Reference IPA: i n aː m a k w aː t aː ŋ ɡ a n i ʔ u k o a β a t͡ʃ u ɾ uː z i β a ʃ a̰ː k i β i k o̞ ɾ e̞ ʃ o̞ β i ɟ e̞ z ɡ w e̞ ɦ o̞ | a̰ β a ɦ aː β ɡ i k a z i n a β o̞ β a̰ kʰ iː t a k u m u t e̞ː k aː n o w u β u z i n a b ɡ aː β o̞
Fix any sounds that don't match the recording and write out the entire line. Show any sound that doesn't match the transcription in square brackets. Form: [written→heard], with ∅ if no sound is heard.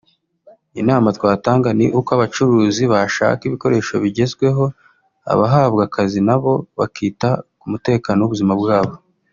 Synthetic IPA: i n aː m a [k→t] w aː t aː ŋ ɡ a n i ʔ u k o a β a t͡ʃ u ɾ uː z i β a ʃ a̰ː k i β i k o̞ ɾ e̞ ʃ o̞ β i ɟ e̞ z ɡ w e̞ ɦ o̞ | a̰ β a ɦ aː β ɡ [i→a] k a z i n a β o̞ β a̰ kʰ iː t a k u m u t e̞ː k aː n o w u β u z i [n→m] a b ɡ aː β o̞